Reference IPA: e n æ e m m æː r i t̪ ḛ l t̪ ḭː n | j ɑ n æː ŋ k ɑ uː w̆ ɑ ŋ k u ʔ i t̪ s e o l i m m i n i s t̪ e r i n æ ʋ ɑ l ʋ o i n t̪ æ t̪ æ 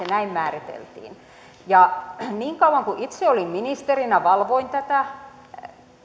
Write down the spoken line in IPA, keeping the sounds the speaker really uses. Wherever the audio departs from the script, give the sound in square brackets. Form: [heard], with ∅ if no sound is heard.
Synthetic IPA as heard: e n æ [i] m m æː r i t̪ ḛ l t̪ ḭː n | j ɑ n [iː] ŋ k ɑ [u] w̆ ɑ ŋ k u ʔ i t̪ s e o l i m m i n i s t̪ e r i n æ ʋ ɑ l ʋ o i n t̪ æ t̪ æ

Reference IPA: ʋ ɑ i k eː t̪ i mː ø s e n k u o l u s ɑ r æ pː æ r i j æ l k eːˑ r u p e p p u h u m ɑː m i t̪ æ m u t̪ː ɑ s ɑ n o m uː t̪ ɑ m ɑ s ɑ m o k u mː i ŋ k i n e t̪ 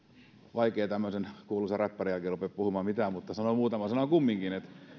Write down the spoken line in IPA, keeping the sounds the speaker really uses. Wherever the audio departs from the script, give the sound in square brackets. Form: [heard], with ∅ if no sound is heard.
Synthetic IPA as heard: ʋ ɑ i k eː t̪ [æ] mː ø s e n k u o l u s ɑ r æ pː æ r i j æ l k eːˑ r u p e p p u h u m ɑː m i t̪ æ m u t̪ː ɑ s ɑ n o m uː t̪ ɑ m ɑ s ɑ [n] o k u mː i ŋ k i n e t̪

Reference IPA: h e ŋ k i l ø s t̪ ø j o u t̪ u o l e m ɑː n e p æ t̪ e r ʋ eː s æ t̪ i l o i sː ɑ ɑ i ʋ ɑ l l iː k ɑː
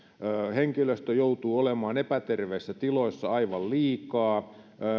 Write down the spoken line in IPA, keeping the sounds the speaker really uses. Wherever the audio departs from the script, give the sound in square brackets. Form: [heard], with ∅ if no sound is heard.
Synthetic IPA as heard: h e ŋ k i l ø s t̪ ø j o u t̪ [uː] o l e m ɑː n e p æ t̪ e r ʋ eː [sː] æ t̪ i l o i sː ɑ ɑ i ʋ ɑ l l iː k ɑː

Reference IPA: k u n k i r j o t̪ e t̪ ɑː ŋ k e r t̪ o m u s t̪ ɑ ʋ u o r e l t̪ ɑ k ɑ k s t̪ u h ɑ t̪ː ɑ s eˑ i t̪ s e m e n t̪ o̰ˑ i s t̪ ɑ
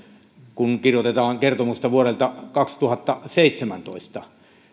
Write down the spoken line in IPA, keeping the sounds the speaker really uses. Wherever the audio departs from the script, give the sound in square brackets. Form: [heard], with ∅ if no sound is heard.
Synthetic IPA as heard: k u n k i r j o t̪ e t̪ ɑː ŋ k e r t̪ o m u s t̪ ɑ ʋ u o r e l t̪ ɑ k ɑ k s t̪ u h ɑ t̪ː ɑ s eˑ i t̪ s e m [æ] n t̪ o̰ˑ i s t̪ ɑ

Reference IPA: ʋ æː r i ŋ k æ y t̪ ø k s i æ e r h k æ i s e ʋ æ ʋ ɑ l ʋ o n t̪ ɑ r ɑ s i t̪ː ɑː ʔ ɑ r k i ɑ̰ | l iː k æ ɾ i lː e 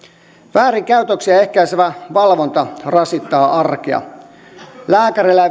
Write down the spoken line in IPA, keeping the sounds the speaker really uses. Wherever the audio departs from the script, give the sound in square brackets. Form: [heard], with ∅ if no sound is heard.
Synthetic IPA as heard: ʋ æː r i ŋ k æ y t̪ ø k s i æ e [∅] h k æ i s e ʋ æ ʋ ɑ l ʋ o n t̪ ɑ r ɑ s i t̪ː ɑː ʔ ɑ r k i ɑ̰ | l [æː] k æ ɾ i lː [æ]

